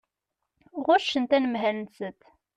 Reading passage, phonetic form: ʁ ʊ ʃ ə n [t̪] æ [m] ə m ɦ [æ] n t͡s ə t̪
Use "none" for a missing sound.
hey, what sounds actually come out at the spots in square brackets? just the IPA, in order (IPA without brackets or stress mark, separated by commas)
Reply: t̪, n, æ